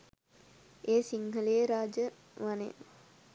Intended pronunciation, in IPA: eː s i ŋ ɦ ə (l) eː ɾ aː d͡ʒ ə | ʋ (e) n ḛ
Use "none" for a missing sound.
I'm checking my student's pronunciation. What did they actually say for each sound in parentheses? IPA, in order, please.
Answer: l, a

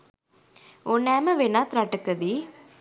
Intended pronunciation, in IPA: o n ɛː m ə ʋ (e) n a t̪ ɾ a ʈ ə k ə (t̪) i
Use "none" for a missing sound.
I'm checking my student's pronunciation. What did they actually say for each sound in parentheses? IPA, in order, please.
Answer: e, d̪

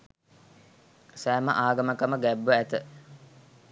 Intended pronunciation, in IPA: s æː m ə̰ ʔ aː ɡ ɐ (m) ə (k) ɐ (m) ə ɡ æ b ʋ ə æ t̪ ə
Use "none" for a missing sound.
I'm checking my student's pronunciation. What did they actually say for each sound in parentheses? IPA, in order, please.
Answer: m, k, m

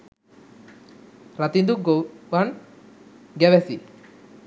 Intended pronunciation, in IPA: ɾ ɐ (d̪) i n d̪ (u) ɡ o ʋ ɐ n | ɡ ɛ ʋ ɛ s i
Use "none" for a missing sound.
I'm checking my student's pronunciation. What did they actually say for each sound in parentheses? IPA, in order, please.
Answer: t̪, u

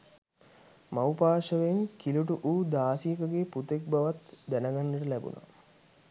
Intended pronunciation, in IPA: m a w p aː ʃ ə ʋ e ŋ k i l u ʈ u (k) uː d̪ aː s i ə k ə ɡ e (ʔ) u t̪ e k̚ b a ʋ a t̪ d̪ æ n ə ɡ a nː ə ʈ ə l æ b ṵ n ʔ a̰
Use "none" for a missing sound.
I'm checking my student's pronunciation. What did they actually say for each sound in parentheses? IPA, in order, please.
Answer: ʔ, p

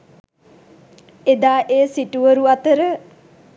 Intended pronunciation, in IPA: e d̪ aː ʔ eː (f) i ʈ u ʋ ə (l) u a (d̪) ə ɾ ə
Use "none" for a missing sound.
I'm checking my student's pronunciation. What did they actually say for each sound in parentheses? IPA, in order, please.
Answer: s, ɾ, t̪

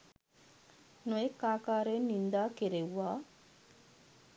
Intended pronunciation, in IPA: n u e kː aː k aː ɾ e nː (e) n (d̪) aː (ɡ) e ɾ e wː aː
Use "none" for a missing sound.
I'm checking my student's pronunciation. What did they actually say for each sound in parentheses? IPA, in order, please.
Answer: i, d̪, k

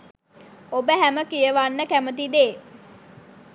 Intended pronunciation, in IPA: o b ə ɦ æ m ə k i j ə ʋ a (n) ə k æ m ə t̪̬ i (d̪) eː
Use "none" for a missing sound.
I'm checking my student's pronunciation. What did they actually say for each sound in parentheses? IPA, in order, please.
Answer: nː, d̪

